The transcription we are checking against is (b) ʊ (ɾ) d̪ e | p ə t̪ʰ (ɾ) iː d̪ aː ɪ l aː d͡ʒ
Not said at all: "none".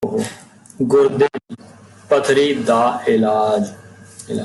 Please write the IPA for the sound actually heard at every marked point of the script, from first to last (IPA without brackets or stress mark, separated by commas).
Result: ɡ, ɾ, ɾ